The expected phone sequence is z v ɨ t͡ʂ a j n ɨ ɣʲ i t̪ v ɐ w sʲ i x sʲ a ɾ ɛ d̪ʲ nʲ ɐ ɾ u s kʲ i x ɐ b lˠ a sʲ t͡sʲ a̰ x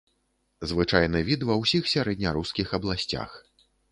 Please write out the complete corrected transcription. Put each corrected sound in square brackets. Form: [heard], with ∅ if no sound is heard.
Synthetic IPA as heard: z v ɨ t͡ʂ a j n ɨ [vʲ] i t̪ v ɐ w sʲ i x sʲ a ɾ ɛ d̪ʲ nʲ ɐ ɾ u s kʲ i x ɐ b lˠ a sʲ t͡sʲ a̰ x